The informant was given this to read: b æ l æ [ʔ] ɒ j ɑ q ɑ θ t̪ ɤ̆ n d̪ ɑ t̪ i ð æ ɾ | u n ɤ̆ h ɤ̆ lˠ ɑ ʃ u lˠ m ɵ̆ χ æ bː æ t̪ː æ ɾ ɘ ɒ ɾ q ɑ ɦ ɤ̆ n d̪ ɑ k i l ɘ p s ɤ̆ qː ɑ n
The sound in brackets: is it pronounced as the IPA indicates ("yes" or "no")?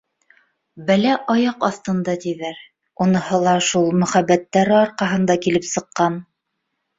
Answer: yes